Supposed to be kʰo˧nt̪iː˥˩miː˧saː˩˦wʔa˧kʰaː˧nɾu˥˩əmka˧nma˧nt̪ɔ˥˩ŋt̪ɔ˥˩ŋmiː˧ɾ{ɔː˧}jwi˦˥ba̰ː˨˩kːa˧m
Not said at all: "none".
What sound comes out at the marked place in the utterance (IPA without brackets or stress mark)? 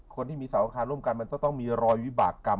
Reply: ɔː˧